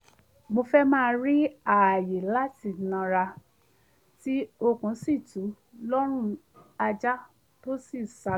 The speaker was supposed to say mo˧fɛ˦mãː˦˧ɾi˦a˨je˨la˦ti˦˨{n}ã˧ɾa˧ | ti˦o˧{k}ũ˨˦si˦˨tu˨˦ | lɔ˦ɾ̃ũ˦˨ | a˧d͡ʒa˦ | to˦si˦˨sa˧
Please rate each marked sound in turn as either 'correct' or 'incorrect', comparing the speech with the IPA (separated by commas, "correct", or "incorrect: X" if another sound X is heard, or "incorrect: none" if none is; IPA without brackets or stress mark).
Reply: correct, correct